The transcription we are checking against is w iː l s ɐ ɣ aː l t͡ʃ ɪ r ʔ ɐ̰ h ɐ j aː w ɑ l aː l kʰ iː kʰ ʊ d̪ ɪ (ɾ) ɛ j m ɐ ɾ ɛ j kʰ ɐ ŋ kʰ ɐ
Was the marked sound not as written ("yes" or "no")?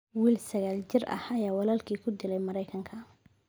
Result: yes